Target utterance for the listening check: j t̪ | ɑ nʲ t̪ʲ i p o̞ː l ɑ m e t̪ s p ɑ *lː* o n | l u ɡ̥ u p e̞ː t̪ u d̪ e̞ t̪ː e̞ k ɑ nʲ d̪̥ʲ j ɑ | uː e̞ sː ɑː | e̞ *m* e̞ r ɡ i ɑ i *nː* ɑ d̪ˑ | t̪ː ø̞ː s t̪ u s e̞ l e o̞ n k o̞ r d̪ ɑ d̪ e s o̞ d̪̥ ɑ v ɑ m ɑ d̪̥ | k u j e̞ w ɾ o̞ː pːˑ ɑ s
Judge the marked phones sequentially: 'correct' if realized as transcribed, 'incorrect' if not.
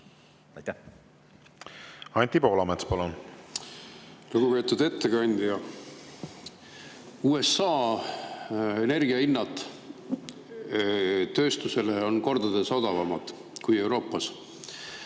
incorrect: l, incorrect: n, correct

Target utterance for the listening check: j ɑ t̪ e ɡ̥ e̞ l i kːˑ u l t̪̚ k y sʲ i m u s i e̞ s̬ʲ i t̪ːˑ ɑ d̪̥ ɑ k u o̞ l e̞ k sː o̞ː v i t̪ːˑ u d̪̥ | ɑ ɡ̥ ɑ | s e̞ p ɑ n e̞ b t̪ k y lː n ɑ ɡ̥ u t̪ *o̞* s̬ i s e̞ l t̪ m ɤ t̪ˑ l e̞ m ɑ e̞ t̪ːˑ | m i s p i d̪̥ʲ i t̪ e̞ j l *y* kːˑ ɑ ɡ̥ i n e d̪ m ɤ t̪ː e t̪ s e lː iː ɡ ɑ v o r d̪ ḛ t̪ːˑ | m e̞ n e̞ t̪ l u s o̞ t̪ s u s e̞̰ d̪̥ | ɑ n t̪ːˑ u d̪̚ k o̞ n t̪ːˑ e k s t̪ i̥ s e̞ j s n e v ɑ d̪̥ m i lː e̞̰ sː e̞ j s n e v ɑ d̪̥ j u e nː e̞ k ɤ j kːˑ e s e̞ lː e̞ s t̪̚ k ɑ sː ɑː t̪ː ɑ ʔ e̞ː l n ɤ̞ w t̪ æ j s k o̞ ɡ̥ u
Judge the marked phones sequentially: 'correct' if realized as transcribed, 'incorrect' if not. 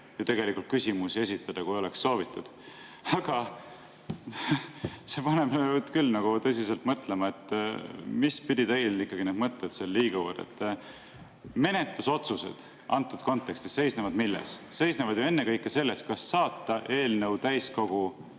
incorrect: ɤ̞, incorrect: i

